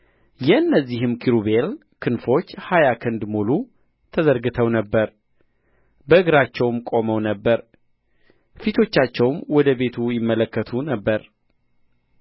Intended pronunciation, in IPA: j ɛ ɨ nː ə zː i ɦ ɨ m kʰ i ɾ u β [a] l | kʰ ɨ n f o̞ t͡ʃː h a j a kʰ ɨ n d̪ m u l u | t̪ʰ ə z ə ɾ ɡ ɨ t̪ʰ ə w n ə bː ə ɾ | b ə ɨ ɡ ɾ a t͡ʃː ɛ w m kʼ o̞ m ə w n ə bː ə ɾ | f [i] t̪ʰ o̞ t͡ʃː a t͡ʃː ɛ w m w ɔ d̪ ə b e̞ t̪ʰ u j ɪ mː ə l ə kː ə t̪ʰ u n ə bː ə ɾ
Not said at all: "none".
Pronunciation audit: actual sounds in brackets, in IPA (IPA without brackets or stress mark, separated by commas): e, i